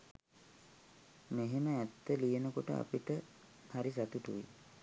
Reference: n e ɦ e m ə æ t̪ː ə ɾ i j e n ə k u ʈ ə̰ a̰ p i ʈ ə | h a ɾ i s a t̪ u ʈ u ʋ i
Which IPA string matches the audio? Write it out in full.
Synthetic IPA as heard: m e ɦ e m ə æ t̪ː ə l i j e n ə k o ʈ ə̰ a̰ p i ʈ ə | h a ɾ i s a t̪ u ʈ u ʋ i